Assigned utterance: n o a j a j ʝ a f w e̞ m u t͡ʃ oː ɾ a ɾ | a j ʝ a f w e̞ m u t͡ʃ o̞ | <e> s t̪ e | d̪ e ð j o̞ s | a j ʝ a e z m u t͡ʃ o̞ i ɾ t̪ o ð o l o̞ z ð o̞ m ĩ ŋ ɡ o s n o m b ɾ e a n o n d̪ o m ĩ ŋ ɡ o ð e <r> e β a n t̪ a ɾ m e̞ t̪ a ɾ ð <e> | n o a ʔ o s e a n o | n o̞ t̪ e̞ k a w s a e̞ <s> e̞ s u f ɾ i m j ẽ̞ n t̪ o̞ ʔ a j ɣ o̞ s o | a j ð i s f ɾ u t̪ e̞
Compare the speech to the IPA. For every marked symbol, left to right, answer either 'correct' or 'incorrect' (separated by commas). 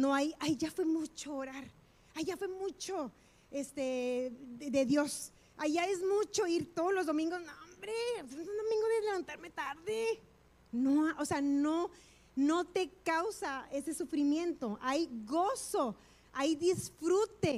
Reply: correct, incorrect, correct, correct